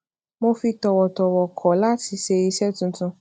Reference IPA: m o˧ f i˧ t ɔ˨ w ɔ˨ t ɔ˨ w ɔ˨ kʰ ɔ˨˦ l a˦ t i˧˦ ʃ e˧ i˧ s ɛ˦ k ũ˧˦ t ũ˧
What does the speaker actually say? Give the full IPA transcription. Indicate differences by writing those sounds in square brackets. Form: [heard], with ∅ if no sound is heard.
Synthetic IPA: m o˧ f i˧ t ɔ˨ w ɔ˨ t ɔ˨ w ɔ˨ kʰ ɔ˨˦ l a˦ t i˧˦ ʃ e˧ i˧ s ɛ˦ [t] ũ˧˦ t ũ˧